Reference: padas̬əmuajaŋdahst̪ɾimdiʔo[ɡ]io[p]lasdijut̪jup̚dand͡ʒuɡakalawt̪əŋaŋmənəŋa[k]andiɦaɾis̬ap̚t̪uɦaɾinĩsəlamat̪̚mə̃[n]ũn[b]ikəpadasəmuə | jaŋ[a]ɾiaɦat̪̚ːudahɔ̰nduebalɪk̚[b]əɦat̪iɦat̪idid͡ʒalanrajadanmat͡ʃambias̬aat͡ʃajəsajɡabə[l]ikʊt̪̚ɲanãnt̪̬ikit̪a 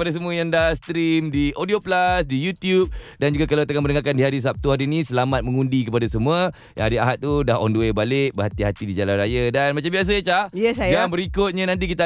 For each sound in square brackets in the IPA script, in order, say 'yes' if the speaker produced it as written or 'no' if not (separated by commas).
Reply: no, yes, yes, no, no, yes, yes, no